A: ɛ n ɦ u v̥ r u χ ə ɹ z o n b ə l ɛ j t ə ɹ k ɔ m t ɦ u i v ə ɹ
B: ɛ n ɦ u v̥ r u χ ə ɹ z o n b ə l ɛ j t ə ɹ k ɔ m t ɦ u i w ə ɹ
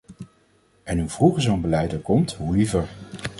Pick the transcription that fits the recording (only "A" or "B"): A